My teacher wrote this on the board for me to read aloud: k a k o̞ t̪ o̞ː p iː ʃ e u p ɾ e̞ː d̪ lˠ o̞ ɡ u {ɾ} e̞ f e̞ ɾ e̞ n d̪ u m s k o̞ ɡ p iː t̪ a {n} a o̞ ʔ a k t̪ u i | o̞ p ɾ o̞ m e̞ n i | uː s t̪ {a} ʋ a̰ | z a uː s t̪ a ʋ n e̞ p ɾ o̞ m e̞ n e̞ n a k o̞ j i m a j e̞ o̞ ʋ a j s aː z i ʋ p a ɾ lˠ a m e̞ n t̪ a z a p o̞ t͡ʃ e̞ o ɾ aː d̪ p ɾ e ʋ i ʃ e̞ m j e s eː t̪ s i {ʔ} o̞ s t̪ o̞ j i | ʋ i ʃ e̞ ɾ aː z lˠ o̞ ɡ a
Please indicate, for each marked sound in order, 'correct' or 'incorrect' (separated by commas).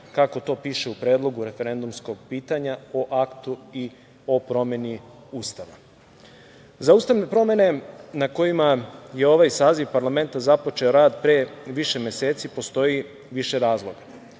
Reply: correct, incorrect, correct, incorrect